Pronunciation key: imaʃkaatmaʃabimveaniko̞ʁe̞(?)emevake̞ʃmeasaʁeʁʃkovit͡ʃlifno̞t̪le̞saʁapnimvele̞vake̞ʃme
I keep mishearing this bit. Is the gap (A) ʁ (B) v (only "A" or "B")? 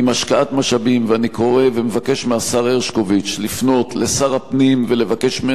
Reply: B